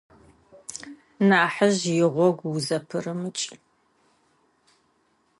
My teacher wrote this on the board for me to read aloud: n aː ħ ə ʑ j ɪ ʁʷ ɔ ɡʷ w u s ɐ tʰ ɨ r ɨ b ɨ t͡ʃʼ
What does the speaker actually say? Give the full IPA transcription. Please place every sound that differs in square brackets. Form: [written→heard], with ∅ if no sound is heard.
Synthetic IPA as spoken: n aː ħ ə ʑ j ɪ ʁʷ ɔ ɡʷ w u [s→z] ɐ [tʰ→pʰ] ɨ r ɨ [b→m] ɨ t͡ʃʼ